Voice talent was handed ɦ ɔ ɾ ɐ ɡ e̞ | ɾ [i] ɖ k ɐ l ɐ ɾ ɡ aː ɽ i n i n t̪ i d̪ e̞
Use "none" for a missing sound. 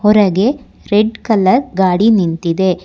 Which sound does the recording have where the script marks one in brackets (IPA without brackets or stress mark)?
e